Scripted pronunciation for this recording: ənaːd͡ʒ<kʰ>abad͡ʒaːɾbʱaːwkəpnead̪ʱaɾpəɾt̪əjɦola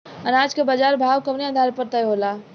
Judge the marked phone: incorrect: k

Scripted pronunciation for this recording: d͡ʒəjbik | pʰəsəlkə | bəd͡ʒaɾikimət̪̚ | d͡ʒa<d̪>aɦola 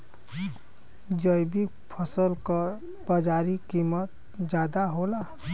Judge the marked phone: correct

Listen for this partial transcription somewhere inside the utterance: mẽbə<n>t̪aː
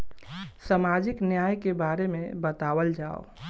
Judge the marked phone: incorrect: none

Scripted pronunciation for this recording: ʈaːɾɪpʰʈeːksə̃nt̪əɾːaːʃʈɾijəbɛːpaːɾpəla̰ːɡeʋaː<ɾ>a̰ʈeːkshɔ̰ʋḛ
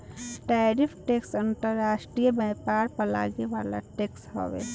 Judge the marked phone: incorrect: l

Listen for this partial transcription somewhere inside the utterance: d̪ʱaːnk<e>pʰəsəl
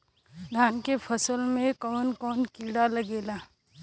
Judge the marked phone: correct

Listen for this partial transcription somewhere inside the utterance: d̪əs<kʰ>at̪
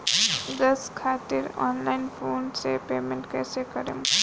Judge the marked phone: correct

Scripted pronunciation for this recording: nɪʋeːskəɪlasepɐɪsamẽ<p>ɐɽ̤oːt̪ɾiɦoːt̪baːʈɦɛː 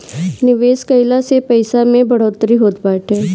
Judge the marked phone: incorrect: b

